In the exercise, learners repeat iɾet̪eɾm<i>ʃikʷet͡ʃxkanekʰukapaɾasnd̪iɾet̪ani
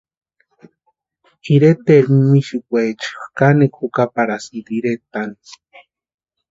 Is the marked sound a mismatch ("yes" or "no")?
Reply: no